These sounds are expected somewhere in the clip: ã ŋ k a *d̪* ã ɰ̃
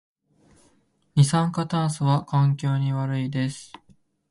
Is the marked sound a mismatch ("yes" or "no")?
yes